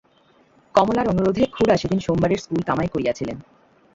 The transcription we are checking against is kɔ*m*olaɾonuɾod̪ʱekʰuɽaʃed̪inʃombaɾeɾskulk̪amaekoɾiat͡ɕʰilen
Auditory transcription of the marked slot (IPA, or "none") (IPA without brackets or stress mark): m